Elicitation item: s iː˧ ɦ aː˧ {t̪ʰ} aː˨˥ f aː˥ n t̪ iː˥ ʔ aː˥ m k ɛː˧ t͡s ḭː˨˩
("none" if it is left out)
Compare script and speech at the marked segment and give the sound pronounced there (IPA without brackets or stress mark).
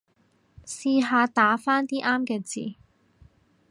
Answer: t̪